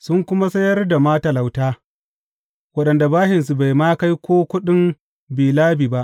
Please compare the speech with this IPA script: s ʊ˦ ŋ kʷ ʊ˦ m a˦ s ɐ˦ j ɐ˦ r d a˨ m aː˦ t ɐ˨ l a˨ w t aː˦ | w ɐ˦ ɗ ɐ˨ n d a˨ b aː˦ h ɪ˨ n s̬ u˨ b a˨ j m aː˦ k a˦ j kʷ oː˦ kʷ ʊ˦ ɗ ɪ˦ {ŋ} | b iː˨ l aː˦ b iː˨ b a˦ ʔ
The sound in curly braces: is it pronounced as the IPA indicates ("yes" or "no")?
no